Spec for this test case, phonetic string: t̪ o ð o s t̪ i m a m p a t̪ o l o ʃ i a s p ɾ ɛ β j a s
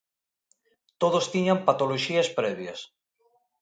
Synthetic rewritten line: t̪ o ð o s t̪ i ɲ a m p a t̪ o l o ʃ i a s p ɾ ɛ β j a s